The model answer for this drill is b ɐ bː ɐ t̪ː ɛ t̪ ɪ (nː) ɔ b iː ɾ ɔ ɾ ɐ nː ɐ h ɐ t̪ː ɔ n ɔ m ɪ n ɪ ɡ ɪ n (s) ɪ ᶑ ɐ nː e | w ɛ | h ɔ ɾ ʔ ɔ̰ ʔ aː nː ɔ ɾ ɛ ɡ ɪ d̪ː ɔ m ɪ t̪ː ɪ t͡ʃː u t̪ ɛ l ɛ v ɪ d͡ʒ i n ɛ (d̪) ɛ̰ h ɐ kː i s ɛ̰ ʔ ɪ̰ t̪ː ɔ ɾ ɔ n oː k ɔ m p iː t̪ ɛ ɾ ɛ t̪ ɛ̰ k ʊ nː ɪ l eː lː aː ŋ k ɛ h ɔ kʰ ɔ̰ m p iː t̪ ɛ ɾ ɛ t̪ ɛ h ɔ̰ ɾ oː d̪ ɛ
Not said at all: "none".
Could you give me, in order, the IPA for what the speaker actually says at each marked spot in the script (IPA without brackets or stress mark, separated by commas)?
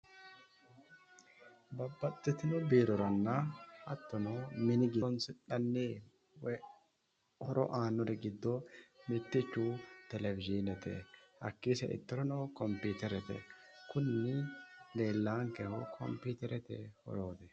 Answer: n, s, t̪